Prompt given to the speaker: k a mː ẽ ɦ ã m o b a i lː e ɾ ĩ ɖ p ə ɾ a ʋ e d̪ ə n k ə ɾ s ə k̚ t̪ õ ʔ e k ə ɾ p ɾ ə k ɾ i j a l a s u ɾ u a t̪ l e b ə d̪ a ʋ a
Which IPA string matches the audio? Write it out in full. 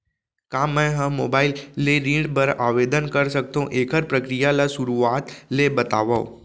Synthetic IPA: k a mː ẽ ɦ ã m o b a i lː e ɾ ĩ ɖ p ə ɾ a ʋ e d̪ ə n k ə ɾ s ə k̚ t̪ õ ʔ e k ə ɾ p ɾ ə k ɾ i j a l a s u ɾ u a t̪ l e b ə t̪ a ʋ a